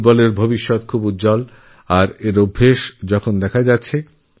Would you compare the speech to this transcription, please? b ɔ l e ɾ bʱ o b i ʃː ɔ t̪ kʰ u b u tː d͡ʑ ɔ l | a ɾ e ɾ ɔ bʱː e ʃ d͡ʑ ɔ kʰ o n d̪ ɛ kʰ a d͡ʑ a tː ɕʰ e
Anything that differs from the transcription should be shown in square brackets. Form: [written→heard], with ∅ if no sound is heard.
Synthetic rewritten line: b ɔ l e ɾ bʱ o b i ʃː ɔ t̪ kʰ u b u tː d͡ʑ ɔ l | a ɾ e ɾ [ɔ→o] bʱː e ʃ d͡ʑ ɔ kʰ o n d̪ ɛ kʰ a d͡ʑ a tː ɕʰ e

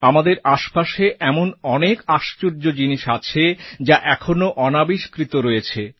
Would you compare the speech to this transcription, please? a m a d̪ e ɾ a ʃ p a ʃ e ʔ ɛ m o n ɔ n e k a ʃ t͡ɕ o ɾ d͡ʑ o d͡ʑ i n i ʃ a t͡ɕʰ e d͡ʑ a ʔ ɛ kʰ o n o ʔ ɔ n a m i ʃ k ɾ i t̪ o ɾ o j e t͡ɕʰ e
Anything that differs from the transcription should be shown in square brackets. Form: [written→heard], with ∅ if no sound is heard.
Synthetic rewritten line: a m a d̪ e ɾ a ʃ p a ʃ e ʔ ɛ m o n ɔ n e k a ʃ t͡ɕ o ɾ d͡ʑ o d͡ʑ i n i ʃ a t͡ɕʰ e d͡ʑ a ʔ ɛ kʰ o n o ʔ ɔ n a [m→b] i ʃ k ɾ i t̪ o ɾ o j e t͡ɕʰ e

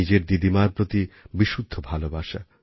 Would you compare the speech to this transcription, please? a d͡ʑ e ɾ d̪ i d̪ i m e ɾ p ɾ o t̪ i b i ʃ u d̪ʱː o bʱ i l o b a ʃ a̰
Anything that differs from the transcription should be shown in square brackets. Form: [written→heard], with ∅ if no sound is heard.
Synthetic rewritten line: [a→i] d͡ʑ e ɾ d̪ i d̪ i m [e→a] ɾ p ɾ o t̪ i b i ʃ u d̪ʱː o bʱ [i→a] l o b a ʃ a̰

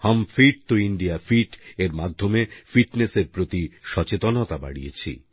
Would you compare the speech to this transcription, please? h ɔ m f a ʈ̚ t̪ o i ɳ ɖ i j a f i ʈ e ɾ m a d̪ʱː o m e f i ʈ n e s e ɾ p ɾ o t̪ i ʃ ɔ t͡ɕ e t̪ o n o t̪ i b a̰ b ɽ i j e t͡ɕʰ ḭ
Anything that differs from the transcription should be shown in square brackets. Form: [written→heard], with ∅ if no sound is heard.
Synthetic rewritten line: h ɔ m f [a→i] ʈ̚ t̪ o i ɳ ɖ i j a f i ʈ e ɾ m a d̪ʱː o m e f i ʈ n e s e ɾ p ɾ o t̪ i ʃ ɔ t͡ɕ e t̪ o n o t̪ [i→a] b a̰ [b→∅] ɽ i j e t͡ɕʰ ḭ

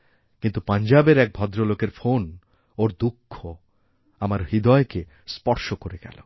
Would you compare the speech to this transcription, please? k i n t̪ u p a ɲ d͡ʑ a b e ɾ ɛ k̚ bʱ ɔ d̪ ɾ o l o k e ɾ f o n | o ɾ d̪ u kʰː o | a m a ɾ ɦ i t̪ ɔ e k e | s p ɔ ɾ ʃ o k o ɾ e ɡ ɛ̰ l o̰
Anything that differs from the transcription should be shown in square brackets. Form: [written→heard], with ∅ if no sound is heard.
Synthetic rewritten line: k i n t̪ u p a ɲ d͡ʑ a b e ɾ ɛ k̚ bʱ ɔ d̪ ɾ o l o k e ɾ f o n | o ɾ d̪ u kʰː o | a m a ɾ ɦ i [t̪→d̪] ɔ e k e | s p ɔ ɾ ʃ o k o ɾ e ɡ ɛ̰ l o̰

